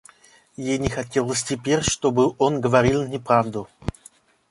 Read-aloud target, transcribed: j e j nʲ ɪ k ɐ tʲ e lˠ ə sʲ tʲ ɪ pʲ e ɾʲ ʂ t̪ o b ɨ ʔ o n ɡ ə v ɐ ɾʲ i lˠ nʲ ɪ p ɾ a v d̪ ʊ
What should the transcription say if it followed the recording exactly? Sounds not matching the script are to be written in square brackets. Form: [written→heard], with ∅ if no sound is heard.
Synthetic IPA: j e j nʲ ɪ [k→x] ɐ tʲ e lˠ ə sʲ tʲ ɪ pʲ e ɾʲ ʂ t̪ o b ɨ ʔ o n ɡ ə v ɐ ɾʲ i lˠ nʲ ɪ p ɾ a v d̪ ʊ